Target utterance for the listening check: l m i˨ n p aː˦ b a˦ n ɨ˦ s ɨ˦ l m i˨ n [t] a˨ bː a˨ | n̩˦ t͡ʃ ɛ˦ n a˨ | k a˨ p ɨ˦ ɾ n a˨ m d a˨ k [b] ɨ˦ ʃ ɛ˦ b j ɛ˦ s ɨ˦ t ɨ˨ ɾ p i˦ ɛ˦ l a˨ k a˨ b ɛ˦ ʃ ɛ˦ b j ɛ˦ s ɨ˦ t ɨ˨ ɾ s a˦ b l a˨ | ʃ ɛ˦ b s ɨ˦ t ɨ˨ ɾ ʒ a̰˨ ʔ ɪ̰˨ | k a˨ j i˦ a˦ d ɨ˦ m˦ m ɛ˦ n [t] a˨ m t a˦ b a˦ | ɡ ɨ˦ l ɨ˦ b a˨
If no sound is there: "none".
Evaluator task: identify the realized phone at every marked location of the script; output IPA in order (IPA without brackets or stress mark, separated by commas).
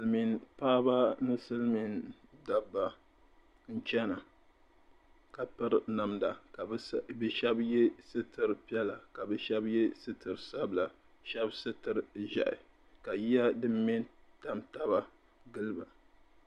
d, b, t